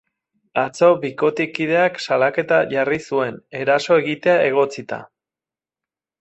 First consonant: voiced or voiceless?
voiceless